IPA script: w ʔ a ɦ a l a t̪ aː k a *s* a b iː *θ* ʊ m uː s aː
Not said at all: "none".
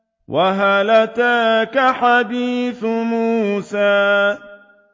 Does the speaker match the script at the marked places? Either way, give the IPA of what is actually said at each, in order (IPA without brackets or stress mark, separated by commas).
ħ, θ